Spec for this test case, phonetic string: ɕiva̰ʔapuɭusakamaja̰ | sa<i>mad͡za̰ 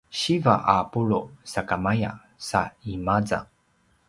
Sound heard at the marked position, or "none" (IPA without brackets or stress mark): i